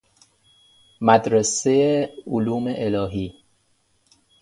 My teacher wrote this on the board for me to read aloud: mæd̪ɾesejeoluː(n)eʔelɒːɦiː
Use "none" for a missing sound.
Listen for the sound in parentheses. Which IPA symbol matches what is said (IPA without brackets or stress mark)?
m